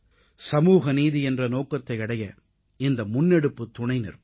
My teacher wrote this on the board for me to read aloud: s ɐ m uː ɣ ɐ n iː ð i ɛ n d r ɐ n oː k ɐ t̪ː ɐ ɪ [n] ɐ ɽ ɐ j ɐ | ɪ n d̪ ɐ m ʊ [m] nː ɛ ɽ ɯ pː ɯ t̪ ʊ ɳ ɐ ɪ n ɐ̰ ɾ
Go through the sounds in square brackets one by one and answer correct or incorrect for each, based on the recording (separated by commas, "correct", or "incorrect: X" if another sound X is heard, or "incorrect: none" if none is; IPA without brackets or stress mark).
incorrect: none, incorrect: none